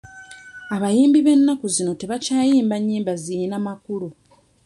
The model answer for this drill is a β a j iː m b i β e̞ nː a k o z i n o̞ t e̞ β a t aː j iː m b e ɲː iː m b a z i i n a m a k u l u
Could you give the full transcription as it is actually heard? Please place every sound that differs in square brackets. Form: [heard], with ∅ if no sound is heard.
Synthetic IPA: a β a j iː m b i β e̞ nː a k [u] z i n o̞ t e̞ β a [c] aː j iː m b [a] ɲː iː m b a z i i n a m a k u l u